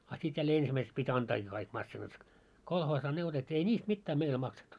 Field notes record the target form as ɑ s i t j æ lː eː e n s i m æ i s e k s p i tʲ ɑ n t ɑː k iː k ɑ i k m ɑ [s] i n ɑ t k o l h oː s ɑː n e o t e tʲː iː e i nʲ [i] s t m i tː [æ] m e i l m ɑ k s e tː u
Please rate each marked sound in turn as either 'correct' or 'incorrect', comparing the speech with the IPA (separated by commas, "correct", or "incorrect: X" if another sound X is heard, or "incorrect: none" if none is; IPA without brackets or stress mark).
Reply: incorrect: sː, incorrect: iː, incorrect: æː